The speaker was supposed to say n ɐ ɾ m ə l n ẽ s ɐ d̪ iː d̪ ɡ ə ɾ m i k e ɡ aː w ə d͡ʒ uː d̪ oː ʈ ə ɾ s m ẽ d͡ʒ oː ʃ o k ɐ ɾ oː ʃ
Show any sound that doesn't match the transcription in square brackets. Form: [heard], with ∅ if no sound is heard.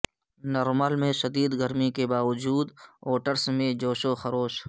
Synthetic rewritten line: n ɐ ɾ m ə l [m] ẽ [ʃ] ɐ d̪ iː d̪ ɡ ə ɾ m i k e [b] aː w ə d͡ʒ uː d̪ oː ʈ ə ɾ s m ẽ d͡ʒ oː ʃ o [x] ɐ ɾ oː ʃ